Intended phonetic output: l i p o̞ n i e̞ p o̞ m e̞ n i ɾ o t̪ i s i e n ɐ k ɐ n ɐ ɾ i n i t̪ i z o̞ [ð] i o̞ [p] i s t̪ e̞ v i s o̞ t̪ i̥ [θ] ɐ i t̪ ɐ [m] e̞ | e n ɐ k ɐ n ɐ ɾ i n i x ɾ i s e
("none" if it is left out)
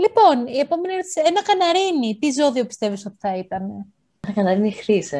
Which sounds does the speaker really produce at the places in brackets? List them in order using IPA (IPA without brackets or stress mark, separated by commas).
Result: ð, p, θ, n